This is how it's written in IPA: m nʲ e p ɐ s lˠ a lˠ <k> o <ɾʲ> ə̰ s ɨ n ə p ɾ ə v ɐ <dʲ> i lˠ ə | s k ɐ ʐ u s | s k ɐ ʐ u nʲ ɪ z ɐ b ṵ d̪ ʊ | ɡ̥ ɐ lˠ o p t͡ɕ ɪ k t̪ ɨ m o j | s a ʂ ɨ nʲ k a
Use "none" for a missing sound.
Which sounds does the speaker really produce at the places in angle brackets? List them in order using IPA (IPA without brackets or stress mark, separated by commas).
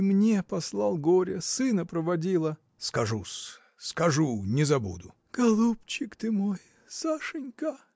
ɡ, ɾʲ, dʲ